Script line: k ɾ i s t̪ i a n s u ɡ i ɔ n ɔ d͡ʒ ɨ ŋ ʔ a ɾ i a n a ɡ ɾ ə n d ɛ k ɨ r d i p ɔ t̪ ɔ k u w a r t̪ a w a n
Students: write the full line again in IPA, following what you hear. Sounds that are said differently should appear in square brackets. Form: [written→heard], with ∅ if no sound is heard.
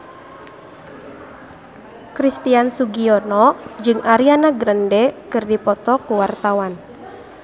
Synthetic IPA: k ɾ i s t̪ i a n s u ɡ i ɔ n ɔ d͡ʒ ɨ ŋ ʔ a ɾ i a n a ɡ ɾ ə n d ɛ k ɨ r d i p ɔ t̪ ɔ k u w a r t̪ a w a n